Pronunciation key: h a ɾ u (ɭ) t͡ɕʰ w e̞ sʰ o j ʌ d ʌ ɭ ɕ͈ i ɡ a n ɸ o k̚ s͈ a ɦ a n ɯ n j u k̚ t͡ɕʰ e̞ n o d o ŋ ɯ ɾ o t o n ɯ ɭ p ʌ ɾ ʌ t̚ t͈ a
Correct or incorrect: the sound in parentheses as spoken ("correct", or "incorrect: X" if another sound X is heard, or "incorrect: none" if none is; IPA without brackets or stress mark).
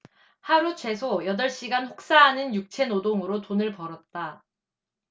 incorrect: none